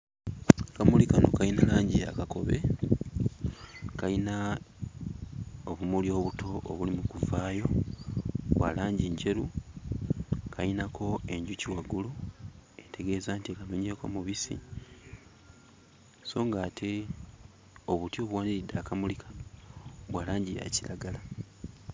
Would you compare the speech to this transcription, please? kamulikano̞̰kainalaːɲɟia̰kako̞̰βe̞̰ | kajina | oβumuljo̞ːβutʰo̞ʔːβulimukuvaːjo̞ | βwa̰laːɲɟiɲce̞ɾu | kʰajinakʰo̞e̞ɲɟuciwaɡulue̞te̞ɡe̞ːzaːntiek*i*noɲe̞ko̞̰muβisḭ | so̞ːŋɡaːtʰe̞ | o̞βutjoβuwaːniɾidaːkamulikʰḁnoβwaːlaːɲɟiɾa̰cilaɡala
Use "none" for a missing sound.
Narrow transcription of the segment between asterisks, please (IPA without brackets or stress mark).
a